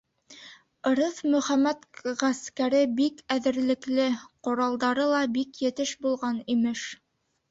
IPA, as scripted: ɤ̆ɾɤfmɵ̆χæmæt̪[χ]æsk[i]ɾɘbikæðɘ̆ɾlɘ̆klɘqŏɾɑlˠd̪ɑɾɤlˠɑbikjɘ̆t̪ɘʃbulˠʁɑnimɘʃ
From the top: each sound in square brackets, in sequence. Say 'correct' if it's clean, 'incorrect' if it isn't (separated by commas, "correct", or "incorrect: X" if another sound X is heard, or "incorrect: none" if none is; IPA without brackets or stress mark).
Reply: incorrect: ʁ, incorrect: æ